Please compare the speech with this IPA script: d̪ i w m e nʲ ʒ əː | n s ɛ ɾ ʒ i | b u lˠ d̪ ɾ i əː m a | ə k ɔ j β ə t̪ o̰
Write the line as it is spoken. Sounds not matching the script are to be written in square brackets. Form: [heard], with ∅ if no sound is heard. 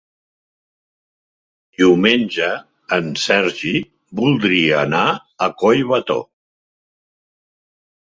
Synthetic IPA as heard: d̪ i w m e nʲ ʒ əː | n s ɛ ɾ ʒ i | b u lˠ d̪ ɾ i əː [n] a | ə k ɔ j β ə t̪ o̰